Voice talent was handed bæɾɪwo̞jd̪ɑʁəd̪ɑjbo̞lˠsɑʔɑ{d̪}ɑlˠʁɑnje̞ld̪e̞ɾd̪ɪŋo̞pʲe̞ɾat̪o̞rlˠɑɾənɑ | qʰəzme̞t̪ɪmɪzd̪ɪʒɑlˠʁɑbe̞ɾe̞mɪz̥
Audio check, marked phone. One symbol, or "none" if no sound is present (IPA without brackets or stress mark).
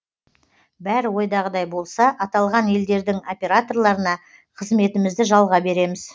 t̪